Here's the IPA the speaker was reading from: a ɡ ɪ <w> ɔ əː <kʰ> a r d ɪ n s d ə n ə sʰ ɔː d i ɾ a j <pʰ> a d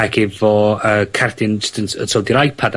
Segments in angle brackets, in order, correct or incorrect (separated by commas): incorrect, correct, correct